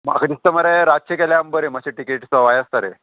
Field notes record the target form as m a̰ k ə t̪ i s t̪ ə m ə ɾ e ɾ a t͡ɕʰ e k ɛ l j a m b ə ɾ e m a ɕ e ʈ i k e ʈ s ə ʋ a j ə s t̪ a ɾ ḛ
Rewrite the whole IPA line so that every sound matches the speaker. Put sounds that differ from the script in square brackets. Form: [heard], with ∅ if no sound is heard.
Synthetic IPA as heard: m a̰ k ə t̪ i s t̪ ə m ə ɾ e ɾ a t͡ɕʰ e k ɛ l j a m b ə ɾ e m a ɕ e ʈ i k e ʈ s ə ʋ a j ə s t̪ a ɾ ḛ

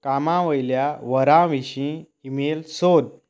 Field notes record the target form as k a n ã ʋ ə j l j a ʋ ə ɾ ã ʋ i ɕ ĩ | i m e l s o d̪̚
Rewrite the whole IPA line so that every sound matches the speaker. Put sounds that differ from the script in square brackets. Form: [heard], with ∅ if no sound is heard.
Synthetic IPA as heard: k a [m] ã ʋ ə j l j a ʋ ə ɾ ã ʋ i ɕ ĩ | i m e l s o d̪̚

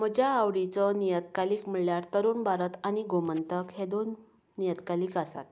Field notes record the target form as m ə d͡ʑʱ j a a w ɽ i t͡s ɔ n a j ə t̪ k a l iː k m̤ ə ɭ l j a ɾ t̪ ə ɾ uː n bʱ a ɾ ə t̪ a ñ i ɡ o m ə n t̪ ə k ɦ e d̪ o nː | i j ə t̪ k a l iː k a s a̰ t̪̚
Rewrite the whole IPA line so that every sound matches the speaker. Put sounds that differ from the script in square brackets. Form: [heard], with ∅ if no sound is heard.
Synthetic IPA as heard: m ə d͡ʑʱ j a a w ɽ i t͡s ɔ n [i] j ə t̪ k a l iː k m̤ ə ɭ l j a ɾ t̪ ə ɾ uː n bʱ a ɾ ə t̪ a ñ i ɡ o m ə n t̪ ə k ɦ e d̪ o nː | i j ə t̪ k a l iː k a s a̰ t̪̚

